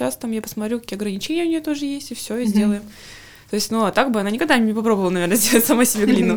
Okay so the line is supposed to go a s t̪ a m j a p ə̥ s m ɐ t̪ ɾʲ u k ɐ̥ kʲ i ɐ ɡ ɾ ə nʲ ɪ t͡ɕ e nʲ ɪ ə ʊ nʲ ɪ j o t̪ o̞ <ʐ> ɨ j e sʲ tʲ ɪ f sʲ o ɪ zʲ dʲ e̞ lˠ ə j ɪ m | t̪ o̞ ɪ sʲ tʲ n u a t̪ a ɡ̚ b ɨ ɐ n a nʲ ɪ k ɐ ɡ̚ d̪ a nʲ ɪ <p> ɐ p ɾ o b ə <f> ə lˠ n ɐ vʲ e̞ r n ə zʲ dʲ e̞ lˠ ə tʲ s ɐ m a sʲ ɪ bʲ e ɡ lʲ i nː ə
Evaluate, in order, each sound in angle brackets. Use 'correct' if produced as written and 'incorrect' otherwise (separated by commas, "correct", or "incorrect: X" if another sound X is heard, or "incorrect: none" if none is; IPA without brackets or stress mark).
correct, correct, incorrect: v